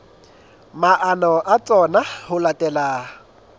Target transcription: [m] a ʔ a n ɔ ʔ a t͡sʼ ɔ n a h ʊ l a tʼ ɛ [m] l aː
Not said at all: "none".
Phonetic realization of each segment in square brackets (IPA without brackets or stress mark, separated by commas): m, none